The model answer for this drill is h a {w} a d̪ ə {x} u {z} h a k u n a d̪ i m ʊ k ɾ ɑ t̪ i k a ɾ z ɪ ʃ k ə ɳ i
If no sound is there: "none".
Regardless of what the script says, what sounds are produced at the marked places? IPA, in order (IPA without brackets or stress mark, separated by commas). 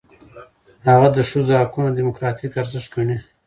ɣ, ʂ, z